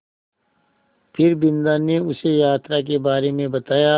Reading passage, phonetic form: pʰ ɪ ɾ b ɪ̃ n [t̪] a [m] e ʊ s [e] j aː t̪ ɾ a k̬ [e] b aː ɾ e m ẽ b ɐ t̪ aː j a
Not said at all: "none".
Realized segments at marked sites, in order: d̪, n, e, e

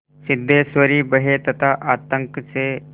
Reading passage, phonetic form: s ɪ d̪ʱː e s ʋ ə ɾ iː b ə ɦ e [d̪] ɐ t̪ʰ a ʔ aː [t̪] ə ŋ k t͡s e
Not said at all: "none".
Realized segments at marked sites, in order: t̪, t̪

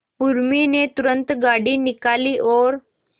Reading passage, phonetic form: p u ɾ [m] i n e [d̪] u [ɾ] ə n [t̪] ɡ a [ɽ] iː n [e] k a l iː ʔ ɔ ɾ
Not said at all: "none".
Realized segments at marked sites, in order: m, t̪, ɾ, t̪, ɽ, i

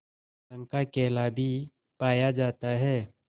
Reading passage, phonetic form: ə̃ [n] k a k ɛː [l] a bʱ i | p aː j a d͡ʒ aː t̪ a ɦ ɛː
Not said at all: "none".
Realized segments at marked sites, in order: ŋ, l

